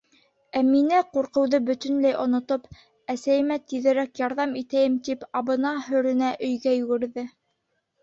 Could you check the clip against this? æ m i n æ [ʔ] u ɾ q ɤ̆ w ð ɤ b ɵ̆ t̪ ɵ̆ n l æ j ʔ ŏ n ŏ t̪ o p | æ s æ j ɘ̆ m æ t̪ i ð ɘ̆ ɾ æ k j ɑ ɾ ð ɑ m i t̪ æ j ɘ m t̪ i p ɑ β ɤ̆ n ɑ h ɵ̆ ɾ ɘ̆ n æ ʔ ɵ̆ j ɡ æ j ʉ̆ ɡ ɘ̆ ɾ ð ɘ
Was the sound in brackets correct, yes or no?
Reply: no